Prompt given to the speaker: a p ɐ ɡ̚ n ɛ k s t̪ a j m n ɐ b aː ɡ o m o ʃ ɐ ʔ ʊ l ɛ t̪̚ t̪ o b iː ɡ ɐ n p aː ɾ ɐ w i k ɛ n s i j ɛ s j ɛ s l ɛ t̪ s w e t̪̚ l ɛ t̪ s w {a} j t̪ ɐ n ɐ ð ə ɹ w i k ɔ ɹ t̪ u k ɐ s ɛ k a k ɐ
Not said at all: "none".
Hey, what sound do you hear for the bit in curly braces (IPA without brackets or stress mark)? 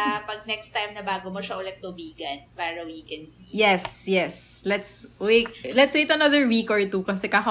e